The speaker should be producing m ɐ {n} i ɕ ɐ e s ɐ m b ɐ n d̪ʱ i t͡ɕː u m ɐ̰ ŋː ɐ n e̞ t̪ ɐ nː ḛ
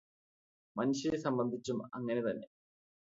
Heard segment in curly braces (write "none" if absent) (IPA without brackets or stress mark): n